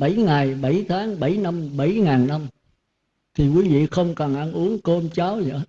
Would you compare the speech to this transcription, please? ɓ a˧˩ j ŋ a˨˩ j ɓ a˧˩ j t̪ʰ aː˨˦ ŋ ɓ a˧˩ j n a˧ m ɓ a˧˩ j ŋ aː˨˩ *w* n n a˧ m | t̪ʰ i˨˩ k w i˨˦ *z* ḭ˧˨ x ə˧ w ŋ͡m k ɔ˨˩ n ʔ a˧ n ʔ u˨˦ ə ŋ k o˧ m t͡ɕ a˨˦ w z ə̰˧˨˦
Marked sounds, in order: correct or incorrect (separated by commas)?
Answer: incorrect, incorrect